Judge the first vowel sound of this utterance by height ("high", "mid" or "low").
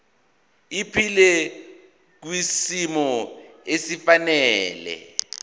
high